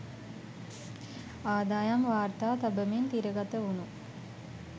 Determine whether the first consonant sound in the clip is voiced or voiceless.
voiced